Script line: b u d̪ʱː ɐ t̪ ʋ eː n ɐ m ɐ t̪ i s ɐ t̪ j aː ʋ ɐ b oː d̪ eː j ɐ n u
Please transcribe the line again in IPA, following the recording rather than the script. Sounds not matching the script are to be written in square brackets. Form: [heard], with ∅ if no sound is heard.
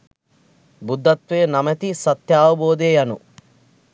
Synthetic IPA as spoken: b u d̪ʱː ɐ t̪ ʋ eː n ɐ m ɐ t̪ i s ɐ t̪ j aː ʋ ɐ b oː d̪ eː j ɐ n u